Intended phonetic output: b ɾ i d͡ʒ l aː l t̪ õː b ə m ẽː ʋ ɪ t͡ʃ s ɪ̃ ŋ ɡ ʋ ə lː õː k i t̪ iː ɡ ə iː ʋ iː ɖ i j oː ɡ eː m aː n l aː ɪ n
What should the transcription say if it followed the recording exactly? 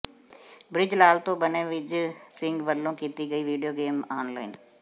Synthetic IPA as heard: b ɾ ɪ d͡ʒ l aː l t̪ õː b ə n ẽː ʋ ɪ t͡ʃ s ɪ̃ ŋ ɡ ʋ ə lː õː k iː t̪ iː ɡ ə iː ʋ iː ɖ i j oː ɡ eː m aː n l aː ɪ n